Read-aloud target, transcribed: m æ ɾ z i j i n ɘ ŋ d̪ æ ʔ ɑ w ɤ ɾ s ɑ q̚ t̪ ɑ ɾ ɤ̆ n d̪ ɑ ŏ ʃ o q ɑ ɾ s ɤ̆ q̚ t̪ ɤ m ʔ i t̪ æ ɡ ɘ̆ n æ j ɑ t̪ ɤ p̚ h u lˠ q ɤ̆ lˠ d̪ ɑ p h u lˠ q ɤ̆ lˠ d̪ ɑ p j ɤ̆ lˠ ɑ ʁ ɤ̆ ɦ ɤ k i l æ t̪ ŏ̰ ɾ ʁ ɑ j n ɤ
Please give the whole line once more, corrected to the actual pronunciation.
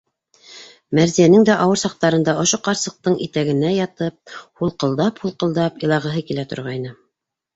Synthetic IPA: m æ ɾ z i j æ n ɘ ŋ d̪ æ ʔ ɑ w ɤ ɾ s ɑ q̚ t̪ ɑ ɾ ɤ̆ n d̪ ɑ ŏ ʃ o q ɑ ɾ s ɤ̆ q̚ t̪ ɤ ɴ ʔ i t̪ æ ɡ ɘ̆ n æ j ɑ t̪ ɤ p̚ h u lˠ q ɤ̆ lˠ d̪ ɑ p h u lˠ q ɤ̆ lˠ d̪ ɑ p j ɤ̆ lˠ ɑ ʁ ɤ̆ ɦ ɤ k i l æ t̪ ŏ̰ ɾ ʁ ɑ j n ɤ

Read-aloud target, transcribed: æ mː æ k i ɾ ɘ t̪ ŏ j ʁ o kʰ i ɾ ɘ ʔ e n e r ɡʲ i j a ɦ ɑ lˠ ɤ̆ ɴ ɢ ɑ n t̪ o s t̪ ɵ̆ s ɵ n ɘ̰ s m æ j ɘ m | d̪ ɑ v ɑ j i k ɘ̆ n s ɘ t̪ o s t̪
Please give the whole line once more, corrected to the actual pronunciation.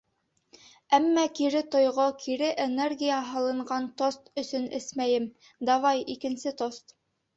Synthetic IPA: æ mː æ k i ɾ ɘ t̪ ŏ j ʁ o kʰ i ɾ ɘ ʔ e n e r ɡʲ i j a ɦ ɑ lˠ ɤ̆ ɴ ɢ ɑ n t̪ o s t̪ ɵ̆ s ɵ n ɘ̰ s m æ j ɘ m | d̪ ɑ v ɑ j i k ɘ̆ n s ɘ t̪ o s t̪

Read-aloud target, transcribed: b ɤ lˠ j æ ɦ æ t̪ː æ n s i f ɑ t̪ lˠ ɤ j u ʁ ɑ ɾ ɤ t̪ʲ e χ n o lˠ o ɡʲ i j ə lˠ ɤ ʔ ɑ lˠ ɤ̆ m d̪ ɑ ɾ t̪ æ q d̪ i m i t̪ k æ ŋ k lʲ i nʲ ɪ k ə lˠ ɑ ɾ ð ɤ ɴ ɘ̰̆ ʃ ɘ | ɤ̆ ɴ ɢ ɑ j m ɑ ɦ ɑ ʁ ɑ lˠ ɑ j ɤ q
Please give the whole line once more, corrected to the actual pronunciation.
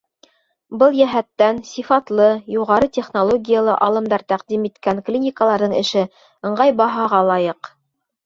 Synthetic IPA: b ɤ lˠ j æ ɦ æ t̪ː æ n s i f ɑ t̪ lˠ ɤ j u ʁ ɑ ɾ ɤ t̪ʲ e χ n o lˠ o ɡʲ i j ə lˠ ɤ ʔ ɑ lˠ ɤ̆ m d̪ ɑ ɾ t̪ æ q d̪ i m i t̪ k æ ŋ k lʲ i nʲ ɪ k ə lˠ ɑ ɾ ð ɤ ɴ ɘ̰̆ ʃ ɘ | ɤ̆ ɴ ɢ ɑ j b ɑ ɦ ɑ ʁ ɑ lˠ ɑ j ɤ q

